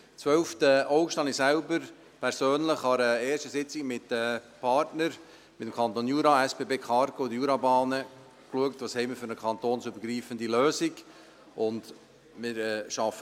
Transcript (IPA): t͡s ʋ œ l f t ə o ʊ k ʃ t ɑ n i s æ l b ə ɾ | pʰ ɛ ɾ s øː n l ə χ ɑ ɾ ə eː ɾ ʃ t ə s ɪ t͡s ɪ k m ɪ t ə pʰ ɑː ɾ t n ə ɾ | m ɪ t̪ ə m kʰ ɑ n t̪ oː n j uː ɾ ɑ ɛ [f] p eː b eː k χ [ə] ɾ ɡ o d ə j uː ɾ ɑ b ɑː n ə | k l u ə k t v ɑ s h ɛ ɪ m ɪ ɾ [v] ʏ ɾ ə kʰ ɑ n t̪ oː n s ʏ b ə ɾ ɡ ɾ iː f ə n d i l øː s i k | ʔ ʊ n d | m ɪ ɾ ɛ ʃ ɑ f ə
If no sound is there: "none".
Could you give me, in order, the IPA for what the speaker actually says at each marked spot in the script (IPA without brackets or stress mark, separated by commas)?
s, ɑ, f